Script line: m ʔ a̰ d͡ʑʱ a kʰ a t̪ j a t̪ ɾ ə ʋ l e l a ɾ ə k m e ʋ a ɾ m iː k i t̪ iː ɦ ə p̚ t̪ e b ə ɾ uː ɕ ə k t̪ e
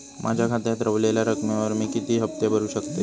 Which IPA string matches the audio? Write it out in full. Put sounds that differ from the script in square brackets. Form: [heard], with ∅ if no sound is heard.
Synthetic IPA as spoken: m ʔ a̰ d͡ʑʱ a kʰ a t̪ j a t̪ ɾ ə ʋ l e l a ɾ ə k m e ʋ [ə] ɾ m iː k i t̪ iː ɦ ə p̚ t̪ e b ə ɾ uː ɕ ə k t̪ e

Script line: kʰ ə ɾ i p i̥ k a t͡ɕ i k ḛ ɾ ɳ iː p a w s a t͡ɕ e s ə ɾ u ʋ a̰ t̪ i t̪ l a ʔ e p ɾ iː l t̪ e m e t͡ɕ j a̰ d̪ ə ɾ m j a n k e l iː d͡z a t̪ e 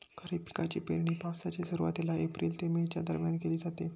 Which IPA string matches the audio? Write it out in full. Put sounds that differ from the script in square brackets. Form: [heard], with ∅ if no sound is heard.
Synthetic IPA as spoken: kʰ ə ɾ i p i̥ k a t͡ɕ i [p] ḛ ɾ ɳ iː p a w s a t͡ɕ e s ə ɾ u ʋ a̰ t̪ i [∅] l a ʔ e p ɾ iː l t̪ e m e t͡ɕ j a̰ d̪ ə ɾ m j a n k e l iː d͡z a t̪ e

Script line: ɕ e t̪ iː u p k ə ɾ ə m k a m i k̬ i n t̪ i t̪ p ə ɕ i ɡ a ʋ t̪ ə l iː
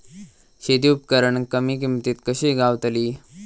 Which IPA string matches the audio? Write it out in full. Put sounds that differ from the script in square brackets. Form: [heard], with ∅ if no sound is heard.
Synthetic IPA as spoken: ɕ e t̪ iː u p k ə ɾ ə [ɳ] k [ə] m i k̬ i [m] t̪ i t̪ [k] ə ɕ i ɡ a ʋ t̪ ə l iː

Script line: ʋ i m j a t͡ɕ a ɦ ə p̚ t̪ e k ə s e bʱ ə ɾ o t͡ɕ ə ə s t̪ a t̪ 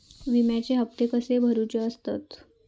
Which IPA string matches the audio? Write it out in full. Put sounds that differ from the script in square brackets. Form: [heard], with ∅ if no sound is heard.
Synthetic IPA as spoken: ʋ i m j a t͡ɕ [e] ɦ ə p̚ t̪ e k ə s e bʱ ə ɾ [u] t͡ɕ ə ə s t̪ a t̪

